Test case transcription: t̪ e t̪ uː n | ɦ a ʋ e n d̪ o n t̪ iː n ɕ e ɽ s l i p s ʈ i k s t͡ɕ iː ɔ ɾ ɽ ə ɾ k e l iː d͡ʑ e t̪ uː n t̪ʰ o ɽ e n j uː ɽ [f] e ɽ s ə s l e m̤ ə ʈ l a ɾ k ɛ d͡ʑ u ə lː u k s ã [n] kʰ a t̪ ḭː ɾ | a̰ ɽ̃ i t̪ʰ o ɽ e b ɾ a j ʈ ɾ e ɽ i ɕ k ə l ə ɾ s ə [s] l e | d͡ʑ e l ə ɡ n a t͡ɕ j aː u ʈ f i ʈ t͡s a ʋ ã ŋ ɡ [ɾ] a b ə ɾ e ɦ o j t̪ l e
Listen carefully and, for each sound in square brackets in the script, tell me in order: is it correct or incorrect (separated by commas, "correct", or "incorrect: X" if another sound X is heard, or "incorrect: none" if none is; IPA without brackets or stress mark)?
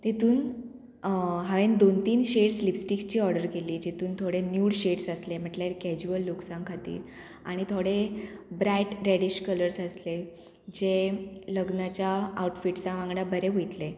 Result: incorrect: ɕ, incorrect: ŋ, correct, incorrect: ɽ